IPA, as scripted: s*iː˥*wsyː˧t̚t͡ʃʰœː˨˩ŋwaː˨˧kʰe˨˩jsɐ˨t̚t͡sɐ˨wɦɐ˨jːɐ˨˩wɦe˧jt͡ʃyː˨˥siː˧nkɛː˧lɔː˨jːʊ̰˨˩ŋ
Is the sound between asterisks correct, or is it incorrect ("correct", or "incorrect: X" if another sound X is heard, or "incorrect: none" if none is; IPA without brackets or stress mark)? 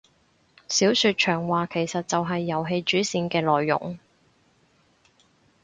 incorrect: iː˨˥